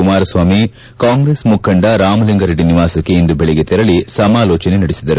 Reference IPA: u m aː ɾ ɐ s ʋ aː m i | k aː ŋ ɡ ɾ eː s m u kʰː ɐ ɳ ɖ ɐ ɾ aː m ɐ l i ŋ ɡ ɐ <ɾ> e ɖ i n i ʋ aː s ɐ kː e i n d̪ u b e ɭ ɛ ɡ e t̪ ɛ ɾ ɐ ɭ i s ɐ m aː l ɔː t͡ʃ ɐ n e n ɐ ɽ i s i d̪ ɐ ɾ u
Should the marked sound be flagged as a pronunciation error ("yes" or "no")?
no